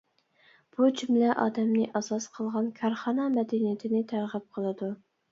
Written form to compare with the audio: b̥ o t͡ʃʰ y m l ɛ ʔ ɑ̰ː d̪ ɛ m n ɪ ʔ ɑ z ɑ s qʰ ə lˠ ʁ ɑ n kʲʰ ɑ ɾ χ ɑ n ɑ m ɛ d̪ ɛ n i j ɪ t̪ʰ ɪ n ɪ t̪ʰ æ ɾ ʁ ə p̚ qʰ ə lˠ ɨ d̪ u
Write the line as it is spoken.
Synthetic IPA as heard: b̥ u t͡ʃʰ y m l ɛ ʔ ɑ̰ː d̪ ɛ m n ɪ ʔ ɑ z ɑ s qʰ ə lˠ ʁ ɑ n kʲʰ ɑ ɾ χ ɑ n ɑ m ɛ d̪ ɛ n i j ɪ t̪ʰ ɪ n ɪ t̪ʰ æ ɾ ʁ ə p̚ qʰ ə lˠ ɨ d̪ u